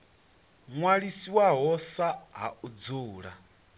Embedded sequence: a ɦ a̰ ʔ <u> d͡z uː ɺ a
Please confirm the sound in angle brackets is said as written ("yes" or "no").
yes